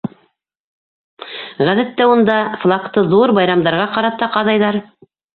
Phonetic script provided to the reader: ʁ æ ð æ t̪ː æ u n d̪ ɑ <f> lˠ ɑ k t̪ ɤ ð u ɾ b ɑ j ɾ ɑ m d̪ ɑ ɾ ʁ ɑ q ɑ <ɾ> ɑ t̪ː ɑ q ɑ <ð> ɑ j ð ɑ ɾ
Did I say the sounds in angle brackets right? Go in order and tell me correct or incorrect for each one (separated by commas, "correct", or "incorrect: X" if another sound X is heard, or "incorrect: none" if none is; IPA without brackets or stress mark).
correct, correct, correct